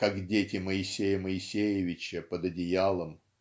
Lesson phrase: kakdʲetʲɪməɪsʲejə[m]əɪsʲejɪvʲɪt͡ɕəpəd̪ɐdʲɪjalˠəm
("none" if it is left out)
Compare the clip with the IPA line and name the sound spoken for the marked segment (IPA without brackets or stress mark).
m